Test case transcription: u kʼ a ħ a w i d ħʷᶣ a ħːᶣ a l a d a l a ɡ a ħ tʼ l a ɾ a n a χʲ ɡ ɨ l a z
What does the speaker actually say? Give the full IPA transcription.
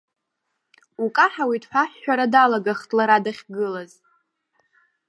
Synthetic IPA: u kʼ a ħ a w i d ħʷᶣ a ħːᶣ a ɾ a d a l a ɡ a χ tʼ l a ɾ a d a χʲ ɡ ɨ l a z